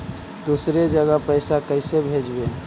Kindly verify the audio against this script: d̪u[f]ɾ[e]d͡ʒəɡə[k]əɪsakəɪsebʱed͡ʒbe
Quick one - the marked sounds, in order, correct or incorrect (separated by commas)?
incorrect, correct, incorrect